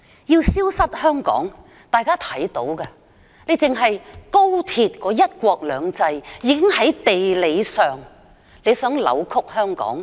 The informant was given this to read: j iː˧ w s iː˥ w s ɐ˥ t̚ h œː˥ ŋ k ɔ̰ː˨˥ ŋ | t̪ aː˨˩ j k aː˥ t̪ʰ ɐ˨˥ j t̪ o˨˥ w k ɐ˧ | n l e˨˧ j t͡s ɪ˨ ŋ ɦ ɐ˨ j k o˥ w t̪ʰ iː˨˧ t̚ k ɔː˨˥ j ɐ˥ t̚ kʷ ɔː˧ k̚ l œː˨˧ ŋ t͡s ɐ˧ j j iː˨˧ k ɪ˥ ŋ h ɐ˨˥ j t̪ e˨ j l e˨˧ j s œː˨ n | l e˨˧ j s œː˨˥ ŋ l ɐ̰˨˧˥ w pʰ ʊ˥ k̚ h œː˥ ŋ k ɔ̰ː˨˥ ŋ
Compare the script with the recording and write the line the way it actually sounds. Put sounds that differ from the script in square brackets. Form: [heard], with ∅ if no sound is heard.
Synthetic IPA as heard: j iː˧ w s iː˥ w s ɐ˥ t̚ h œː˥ ŋ k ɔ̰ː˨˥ ŋ | t̪ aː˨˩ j k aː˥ t̪ʰ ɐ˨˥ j t̪ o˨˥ w k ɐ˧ | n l e˨˧ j t͡s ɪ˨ ŋ ɦ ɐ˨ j k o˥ w t̪ʰ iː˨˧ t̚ k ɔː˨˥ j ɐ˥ t̚ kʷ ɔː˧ k̚ l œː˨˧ ŋ t͡s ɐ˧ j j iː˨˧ k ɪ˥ ŋ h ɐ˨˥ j t̪ e˨ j l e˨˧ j s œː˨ [ŋ] | l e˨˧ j s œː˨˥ ŋ l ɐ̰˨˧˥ w [kʰ] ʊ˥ k̚ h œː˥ ŋ k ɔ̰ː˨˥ ŋ